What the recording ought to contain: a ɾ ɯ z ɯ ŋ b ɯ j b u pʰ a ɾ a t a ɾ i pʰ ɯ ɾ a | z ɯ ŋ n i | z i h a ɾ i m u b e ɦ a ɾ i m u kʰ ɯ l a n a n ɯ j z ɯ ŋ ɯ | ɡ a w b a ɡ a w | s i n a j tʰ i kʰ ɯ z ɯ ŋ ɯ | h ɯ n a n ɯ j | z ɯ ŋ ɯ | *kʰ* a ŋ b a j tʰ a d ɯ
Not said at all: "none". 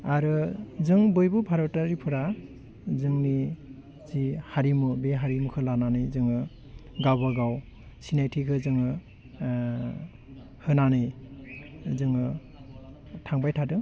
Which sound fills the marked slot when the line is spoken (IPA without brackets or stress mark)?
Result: tʰ